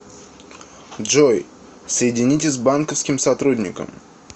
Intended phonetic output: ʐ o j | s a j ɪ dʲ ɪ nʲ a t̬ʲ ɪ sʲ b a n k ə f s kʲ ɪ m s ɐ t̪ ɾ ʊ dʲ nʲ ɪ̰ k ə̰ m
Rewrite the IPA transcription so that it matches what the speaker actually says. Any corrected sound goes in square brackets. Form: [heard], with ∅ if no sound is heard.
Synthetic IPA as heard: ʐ o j | s [ə] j ɪ dʲ ɪ nʲ [i] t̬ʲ ɪ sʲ b a n k ə f s kʲ ɪ m s ɐ t̪ ɾ [u] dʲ nʲ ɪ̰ k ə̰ m